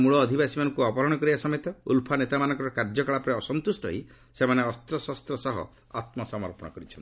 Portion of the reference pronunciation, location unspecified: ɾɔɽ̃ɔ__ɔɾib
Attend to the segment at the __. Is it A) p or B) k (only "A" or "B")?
B